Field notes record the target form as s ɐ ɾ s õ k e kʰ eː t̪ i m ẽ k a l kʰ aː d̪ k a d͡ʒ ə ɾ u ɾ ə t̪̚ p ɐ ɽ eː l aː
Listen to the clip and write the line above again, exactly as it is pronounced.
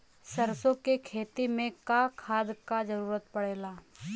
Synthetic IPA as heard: s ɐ ɾ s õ k e kʰ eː t̪ i m ẽ k a kʰ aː d̪ k a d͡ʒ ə ɾ uː ɾ ə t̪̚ p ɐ ɽ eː l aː